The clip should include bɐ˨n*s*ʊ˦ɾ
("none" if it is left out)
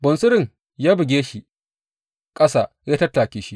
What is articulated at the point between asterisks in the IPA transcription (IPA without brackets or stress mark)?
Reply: s